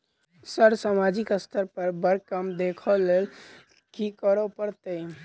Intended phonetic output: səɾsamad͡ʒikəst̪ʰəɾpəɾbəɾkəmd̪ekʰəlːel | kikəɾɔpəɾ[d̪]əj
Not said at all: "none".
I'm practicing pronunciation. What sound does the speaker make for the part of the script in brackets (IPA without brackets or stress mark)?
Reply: t̪